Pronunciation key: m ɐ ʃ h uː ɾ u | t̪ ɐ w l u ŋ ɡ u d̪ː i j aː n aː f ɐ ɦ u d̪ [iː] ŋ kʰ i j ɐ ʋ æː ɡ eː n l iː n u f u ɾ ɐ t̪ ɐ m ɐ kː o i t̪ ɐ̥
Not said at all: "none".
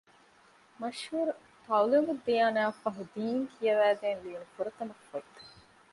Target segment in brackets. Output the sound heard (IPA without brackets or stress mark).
iː